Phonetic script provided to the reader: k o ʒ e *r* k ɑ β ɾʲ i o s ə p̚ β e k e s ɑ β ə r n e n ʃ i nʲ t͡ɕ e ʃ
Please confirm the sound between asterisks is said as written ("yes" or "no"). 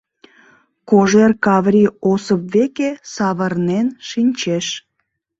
yes